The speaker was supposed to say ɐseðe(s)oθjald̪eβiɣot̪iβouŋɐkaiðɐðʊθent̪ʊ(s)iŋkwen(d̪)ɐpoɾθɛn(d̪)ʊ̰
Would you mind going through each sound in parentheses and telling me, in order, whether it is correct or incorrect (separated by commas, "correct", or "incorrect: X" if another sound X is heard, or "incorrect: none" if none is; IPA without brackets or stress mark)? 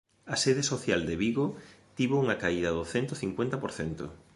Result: correct, incorrect: θ, incorrect: t̪, incorrect: t̪